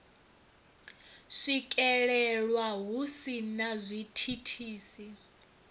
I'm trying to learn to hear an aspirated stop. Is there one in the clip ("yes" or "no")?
yes